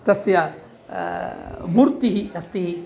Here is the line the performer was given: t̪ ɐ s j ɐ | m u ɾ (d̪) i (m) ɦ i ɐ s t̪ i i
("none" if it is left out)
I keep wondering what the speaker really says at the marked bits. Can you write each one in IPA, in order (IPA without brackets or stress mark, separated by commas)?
t̪, none